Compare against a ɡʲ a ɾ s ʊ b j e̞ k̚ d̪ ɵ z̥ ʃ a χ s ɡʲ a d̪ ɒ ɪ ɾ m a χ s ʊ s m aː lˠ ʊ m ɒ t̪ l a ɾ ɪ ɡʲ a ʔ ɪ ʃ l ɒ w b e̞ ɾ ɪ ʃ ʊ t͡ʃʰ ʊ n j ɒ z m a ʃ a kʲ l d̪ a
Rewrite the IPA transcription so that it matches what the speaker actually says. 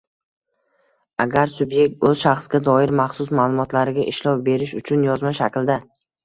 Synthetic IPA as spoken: a ɡʲ a ɾ s ʊ b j e̞ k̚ t̪ ɵ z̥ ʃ a χ s ɡʲ a d̪ ɒ ɪ ɾ m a χ s ʊ s m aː lˠ ʊ m ɒ t̪ l a ɾ ɪ ɡʲ a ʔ ɪ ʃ l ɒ w b e̞ ɾ ɪ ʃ ʊ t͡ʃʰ ʊ n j ɒ z m a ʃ a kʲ l d̪ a